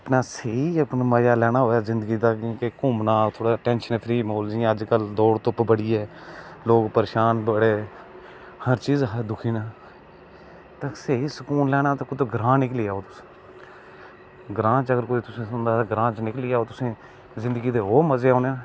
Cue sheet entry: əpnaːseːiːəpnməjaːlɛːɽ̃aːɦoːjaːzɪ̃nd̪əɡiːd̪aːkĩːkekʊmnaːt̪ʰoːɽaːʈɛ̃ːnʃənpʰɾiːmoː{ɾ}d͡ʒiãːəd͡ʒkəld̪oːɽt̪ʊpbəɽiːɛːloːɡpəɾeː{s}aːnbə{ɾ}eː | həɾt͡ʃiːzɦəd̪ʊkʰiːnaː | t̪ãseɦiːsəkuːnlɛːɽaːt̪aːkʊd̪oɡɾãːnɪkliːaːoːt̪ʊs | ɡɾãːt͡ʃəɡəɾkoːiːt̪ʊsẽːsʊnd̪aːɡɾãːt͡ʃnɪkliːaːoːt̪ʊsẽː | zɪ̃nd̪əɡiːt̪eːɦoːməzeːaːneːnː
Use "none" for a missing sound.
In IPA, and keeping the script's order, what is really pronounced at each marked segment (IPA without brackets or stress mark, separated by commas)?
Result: l, ʃ, ɽ